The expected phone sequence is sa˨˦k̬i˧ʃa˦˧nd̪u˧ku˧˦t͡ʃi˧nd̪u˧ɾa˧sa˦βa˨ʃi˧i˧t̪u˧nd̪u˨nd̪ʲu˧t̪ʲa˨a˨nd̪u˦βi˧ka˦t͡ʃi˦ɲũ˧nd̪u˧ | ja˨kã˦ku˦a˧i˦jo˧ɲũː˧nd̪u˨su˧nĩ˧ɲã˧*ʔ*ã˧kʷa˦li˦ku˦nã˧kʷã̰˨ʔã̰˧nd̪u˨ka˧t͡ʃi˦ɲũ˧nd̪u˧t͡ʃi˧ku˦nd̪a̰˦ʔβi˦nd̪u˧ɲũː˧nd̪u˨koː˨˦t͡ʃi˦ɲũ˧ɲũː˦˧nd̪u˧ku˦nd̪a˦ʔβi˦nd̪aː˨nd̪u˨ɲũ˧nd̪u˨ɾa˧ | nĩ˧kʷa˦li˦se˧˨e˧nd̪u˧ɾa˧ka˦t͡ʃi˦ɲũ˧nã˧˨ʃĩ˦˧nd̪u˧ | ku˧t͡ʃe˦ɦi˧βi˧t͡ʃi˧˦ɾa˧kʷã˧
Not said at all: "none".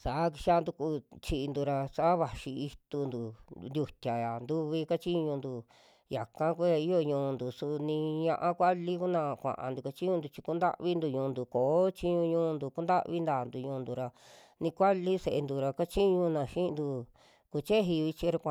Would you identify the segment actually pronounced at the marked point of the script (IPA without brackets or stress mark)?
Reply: ʔ